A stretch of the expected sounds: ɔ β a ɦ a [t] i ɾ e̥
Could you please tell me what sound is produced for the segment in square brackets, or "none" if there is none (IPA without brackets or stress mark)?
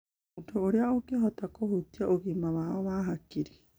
k